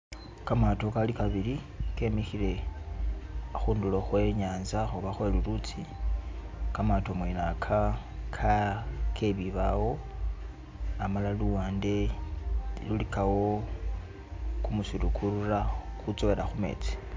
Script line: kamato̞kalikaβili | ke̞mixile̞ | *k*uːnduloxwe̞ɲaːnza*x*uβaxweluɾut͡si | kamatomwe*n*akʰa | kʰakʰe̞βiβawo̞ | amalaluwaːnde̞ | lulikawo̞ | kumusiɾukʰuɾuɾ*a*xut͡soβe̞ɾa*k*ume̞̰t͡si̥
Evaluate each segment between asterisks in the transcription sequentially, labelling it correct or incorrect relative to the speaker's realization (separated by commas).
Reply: incorrect, correct, correct, correct, incorrect